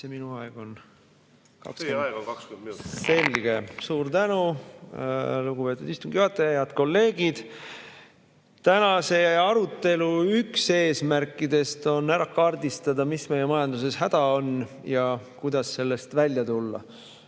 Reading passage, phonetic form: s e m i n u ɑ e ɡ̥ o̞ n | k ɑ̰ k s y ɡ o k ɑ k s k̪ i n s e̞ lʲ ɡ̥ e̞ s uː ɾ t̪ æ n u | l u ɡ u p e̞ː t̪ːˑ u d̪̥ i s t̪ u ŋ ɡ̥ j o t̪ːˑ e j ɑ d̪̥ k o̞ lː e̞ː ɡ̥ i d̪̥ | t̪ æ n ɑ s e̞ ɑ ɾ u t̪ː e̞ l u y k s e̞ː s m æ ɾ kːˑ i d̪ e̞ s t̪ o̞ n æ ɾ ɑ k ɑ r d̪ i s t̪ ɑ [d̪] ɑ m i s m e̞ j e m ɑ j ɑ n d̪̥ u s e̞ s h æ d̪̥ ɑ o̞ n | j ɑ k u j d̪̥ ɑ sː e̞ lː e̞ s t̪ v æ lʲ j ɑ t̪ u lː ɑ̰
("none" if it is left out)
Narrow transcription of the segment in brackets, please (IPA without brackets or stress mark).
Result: d̪